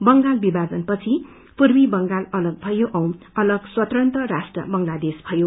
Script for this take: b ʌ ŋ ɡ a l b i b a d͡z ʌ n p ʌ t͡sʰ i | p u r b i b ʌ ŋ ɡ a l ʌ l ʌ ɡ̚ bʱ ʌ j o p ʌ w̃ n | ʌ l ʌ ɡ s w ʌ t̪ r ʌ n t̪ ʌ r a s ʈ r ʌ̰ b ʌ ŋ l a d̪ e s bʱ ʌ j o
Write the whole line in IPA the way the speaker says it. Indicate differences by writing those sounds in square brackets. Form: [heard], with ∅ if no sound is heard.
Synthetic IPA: b ʌ ŋ ɡ a l b i b a d͡z ʌ n p ʌ t͡sʰ i | p u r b i b ʌ ŋ ɡ a l ʌ l ʌ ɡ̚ bʱ ʌ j o [ʔ] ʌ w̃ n | ʌ l ʌ ɡ s w ʌ t̪ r ʌ n t̪ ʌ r a s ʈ r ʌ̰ b ʌ ŋ l a d̪ e s bʱ ʌ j o